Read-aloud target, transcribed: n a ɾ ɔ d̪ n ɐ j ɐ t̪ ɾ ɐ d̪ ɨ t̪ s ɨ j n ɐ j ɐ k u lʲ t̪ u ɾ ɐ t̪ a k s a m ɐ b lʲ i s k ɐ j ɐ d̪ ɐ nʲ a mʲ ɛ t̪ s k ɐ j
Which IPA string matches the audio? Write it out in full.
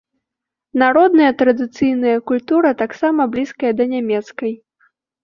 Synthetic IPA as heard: n a ɾ ɔ d̪ n ɐ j ɐ t̪ ɾ ɐ d̪ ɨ t̪ s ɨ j n ɐ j ɐ k u lʲ t̪ u ɾ ɐ t̪ a k s a m ɐ b lʲ i s k ɐ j ɐ d̪ ɐ nʲ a mʲ ɛ t̪ s k ɐ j